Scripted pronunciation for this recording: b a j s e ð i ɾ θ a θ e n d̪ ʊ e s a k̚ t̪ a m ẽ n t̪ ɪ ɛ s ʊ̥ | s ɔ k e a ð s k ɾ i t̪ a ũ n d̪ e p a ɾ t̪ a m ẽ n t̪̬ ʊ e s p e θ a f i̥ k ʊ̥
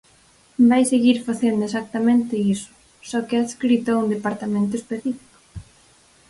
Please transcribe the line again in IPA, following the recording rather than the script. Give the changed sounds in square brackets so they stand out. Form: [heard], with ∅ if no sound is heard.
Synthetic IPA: b a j s e [ɣ] i ɾ [f] a θ e n d̪ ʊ e s a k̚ t̪ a m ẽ n t̪ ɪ [i] s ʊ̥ | s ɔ k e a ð s k ɾ i t̪ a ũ n d̪ e p a ɾ t̪ a m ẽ n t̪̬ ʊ e s p e θ [i] f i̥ k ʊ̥